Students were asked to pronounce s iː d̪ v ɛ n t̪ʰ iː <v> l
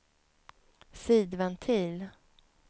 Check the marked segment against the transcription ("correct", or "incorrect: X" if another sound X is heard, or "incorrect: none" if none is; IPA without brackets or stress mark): incorrect: none